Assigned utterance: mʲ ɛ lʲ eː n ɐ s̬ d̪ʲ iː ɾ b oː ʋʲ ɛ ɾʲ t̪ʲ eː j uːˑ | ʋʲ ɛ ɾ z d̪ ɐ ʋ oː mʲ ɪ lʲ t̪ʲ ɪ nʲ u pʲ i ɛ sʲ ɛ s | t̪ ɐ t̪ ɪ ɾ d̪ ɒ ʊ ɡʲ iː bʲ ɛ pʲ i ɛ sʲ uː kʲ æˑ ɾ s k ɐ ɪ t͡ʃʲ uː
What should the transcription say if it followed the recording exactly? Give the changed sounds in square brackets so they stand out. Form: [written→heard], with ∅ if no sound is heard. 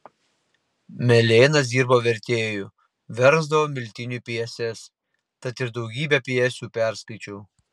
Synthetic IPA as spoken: mʲ ɛ lʲ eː n ɐ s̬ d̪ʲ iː ɾ b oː ʋʲ ɛ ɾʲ t̪ʲ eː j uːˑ | ʋʲ ɛ ɾ z d̪ ɐ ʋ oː mʲ ɪ lʲ t̪ʲ ɪ nʲ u pʲ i ɛ sʲ ɛ s | t̪ ɐ t̪ ɪ ɾ d̪ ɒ ʊ ɡʲ iː bʲ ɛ pʲ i ɛ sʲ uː [kʲ→pʲ] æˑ ɾ s k ɐ ɪ t͡ʃʲ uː